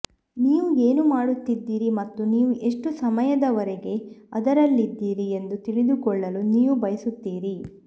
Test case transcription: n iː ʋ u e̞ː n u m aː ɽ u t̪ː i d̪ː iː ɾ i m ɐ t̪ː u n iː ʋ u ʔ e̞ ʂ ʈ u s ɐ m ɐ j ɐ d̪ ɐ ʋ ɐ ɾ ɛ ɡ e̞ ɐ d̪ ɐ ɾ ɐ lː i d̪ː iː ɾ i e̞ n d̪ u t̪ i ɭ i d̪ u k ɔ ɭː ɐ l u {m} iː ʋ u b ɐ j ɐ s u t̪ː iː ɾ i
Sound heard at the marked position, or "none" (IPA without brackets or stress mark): n